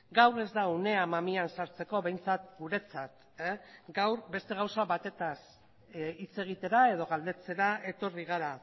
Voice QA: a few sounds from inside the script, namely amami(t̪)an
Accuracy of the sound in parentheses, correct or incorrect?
incorrect